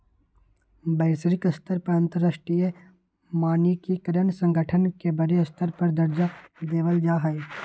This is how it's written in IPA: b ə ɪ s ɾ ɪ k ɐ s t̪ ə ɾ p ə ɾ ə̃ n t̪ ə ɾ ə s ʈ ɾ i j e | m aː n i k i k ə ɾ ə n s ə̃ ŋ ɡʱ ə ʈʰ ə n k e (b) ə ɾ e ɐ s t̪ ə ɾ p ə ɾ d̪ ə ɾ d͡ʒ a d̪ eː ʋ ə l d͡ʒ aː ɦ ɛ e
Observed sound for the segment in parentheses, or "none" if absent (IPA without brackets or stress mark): b